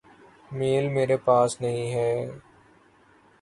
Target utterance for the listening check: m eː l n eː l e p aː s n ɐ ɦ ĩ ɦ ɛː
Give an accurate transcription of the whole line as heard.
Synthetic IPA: m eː l m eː ɾ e p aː s n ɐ ɦ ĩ ɦ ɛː